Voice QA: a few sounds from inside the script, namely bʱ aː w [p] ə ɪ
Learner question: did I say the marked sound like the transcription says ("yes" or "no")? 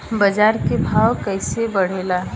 no